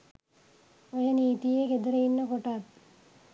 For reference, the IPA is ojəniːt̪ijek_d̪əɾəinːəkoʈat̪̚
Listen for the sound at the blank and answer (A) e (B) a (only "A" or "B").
A